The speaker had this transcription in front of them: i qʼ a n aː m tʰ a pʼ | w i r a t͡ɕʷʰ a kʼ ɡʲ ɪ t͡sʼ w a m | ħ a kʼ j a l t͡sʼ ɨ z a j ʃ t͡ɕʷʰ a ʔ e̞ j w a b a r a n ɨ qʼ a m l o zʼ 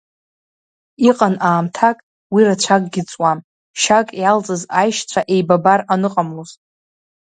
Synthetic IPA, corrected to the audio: i qʼ a n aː m tʰ a kʼ | w i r a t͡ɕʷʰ a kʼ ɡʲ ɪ t͡sʼ w a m | ʃ a kʼ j a l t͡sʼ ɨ z a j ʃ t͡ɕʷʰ a ʔ e̞ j b a b a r a n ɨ qʼ a m l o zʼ